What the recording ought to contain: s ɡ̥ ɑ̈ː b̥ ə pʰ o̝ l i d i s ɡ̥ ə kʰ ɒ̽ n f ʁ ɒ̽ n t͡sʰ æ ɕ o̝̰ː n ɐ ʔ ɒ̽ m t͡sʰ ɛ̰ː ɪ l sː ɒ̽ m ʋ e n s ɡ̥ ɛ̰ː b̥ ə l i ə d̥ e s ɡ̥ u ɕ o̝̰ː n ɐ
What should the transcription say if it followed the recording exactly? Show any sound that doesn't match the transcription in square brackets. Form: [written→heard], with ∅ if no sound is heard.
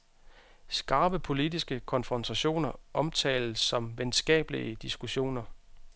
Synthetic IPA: s ɡ̥ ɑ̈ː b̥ ə pʰ o̝ l i d i s ɡ̥ ə kʰ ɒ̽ n f ʁ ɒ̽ n t͡sʰ æ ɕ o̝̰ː n ɐ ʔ ɒ̽ m t͡sʰ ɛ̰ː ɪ l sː ɒ̽ m ʋ e n s ɡ̥ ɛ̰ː b̥ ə l i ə d̥ [e→i] s ɡ̥ u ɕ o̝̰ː n ɐ